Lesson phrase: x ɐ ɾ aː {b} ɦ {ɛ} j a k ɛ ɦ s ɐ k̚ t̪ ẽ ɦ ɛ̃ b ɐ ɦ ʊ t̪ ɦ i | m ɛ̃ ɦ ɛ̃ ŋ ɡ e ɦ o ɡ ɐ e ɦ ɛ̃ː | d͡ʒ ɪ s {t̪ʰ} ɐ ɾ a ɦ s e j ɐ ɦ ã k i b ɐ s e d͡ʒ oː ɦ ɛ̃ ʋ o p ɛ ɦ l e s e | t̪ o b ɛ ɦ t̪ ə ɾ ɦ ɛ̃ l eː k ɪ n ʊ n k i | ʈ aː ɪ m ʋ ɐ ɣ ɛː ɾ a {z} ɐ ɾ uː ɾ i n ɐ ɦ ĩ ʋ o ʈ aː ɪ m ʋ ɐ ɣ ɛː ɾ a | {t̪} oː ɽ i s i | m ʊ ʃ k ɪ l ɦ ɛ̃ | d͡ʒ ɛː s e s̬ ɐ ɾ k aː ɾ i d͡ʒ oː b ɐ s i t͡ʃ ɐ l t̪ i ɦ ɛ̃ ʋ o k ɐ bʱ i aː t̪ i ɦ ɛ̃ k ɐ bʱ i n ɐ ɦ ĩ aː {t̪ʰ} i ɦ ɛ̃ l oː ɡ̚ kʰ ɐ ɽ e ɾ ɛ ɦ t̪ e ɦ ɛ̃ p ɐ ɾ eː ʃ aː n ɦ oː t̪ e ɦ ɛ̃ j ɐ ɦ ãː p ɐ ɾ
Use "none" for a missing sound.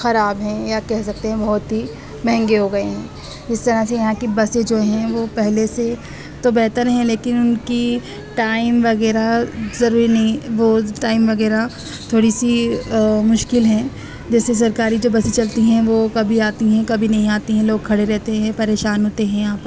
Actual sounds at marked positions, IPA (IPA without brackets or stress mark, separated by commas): b, ɛ̃, t̪, z, t̪ʰ, t̪